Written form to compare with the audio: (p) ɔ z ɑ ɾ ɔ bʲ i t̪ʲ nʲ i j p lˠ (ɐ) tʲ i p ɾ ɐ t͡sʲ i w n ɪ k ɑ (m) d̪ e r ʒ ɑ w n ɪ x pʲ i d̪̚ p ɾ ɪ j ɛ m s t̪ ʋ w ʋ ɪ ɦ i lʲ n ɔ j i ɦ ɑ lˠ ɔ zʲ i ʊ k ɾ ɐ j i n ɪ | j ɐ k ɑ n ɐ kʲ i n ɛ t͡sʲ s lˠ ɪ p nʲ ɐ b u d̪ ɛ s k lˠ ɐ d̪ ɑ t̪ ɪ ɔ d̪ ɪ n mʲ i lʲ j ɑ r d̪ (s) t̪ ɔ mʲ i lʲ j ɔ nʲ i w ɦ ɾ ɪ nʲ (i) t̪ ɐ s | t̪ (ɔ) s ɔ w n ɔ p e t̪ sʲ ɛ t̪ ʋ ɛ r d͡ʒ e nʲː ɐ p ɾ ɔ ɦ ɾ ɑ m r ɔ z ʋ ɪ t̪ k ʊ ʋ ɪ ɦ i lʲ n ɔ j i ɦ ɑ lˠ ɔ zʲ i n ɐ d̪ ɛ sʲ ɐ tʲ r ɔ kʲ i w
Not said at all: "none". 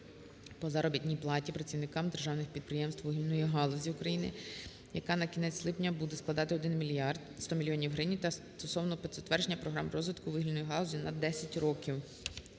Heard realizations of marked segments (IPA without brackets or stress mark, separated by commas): p, ɑ, m, s, i, ɔ